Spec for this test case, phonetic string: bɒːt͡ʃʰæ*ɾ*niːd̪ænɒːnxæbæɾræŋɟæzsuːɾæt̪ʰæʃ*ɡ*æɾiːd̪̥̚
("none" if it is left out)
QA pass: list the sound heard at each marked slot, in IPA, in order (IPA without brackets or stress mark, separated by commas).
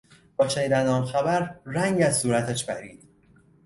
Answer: none, b